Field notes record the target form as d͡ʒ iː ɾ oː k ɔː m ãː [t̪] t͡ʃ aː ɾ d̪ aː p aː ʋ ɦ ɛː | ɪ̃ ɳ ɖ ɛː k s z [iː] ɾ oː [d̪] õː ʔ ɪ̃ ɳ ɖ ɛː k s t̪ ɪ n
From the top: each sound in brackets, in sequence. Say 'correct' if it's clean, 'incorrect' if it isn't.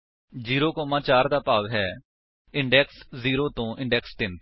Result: incorrect: none, correct, incorrect: t̪

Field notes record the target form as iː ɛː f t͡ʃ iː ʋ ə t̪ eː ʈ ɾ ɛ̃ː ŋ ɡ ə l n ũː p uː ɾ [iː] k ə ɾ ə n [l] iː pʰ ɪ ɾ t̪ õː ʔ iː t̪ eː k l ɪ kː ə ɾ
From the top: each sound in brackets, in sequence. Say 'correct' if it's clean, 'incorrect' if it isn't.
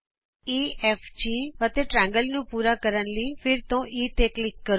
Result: incorrect: aː, correct

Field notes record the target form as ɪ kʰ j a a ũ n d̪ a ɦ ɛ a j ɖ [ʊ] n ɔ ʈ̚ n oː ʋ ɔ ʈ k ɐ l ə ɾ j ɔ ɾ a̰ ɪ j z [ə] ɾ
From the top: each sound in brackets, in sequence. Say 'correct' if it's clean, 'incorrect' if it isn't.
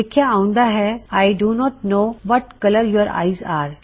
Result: incorrect: u, incorrect: a

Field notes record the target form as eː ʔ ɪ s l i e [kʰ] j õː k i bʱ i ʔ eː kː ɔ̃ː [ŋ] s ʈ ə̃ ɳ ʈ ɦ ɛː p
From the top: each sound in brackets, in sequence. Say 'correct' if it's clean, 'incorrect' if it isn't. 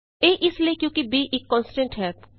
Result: incorrect: k, incorrect: n

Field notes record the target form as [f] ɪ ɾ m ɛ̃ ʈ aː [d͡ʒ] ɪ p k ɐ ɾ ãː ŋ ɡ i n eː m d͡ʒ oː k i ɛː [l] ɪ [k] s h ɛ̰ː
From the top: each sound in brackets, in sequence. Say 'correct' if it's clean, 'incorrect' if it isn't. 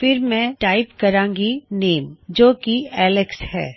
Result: correct, incorrect: none, correct, correct

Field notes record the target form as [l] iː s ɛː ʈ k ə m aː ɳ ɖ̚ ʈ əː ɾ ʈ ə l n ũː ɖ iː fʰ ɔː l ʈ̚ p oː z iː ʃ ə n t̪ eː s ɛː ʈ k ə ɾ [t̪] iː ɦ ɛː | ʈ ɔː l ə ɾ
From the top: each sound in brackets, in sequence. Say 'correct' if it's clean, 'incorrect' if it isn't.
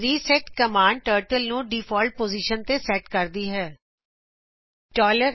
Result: incorrect: ɾ, incorrect: d̪

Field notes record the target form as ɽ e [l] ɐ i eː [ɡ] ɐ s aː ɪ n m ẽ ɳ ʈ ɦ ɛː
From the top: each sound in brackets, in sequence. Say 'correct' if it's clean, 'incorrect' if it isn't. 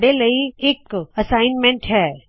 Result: correct, incorrect: k

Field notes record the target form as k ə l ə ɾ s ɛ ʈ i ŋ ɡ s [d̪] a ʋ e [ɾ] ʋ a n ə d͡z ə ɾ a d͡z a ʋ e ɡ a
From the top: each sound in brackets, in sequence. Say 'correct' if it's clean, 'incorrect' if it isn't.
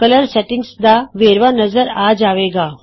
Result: correct, correct

